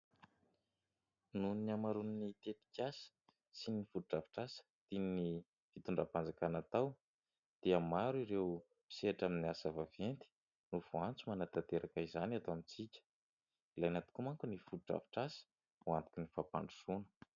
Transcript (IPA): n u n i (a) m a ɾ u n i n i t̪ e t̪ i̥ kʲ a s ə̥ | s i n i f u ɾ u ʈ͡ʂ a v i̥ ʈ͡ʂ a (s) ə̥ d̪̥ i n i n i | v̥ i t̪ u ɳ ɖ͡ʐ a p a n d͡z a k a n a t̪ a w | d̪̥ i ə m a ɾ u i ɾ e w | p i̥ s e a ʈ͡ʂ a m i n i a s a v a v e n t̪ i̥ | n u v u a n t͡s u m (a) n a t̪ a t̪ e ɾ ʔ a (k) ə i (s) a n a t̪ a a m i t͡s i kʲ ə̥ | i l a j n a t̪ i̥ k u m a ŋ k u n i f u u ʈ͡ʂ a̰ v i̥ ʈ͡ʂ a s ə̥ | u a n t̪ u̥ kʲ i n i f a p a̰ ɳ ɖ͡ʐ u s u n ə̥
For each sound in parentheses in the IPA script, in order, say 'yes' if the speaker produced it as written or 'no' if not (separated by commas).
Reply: yes, yes, yes, yes, no